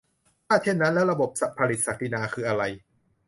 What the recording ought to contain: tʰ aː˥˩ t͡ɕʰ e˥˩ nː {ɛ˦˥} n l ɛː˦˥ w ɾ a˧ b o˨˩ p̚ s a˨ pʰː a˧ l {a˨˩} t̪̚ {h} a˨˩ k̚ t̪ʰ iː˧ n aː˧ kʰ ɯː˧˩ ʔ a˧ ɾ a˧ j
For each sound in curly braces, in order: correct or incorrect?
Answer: incorrect: a˦˥, incorrect: i˨˩, incorrect: s

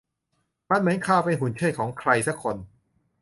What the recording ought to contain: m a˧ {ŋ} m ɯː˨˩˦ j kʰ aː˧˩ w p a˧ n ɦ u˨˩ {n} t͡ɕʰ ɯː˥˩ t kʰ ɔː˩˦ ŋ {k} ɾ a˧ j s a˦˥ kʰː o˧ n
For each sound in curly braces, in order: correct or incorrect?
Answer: incorrect: n, correct, incorrect: kʰ

